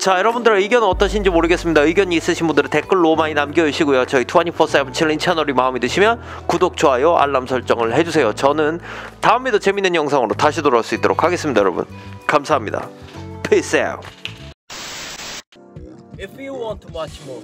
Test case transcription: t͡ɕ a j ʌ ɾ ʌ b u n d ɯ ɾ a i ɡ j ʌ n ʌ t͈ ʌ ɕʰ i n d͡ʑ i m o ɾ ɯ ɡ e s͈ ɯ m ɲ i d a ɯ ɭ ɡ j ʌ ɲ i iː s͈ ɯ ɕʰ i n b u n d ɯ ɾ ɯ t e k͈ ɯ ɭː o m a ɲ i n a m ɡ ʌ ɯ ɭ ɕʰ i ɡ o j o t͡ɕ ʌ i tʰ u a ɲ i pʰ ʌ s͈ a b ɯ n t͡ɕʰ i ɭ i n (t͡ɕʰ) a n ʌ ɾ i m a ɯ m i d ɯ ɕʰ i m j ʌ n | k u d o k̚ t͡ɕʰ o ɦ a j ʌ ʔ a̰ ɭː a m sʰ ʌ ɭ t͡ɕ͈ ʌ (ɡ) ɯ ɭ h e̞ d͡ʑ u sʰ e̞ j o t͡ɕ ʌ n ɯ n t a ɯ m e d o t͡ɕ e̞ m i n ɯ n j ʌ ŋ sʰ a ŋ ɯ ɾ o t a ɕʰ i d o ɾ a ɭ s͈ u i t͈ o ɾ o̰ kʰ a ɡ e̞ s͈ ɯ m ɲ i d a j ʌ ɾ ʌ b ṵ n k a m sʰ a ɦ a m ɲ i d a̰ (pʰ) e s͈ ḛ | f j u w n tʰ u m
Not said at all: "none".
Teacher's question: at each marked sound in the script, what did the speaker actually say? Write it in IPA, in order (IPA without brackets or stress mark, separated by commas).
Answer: t͡ɕʰ, ŋ, pʰ